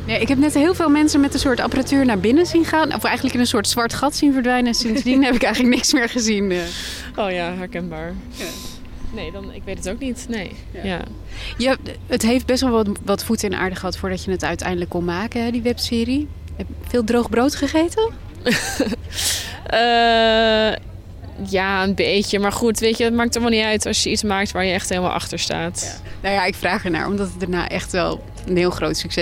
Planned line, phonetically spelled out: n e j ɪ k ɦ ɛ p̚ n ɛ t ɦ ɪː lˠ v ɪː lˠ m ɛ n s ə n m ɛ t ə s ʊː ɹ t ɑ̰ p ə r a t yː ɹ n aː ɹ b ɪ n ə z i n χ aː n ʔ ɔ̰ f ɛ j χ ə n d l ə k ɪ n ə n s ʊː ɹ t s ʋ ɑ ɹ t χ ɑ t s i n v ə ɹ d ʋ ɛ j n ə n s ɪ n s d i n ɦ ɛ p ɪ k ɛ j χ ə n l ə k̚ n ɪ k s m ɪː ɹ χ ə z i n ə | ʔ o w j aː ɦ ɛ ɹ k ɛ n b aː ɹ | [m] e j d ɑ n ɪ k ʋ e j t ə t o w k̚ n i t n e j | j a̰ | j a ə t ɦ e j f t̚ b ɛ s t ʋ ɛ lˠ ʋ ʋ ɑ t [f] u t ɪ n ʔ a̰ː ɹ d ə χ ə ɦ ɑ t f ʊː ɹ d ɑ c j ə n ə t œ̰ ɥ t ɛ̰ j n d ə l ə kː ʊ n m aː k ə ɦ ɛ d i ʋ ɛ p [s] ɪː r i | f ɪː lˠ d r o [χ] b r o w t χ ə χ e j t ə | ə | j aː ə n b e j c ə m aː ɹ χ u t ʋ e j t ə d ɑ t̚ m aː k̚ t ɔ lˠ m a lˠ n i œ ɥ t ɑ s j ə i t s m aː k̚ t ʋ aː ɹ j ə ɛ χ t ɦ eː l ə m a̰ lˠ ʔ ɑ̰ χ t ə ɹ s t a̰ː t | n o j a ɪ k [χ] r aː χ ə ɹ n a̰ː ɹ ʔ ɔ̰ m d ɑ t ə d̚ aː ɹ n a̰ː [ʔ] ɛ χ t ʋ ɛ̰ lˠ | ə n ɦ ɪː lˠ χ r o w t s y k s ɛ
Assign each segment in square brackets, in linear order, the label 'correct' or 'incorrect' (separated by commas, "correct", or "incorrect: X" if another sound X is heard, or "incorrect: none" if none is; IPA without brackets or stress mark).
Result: incorrect: n, correct, correct, correct, incorrect: f, correct